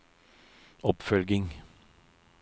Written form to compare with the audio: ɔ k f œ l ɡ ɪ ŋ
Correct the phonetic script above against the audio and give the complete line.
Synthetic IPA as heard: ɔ p f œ l ɡ ɪ ŋ